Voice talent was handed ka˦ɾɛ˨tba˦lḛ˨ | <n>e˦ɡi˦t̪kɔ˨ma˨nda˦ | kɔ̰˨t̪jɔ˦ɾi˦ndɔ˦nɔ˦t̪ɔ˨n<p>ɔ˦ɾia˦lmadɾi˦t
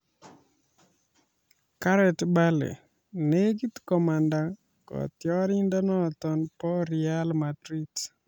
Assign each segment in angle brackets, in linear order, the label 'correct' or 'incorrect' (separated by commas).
correct, correct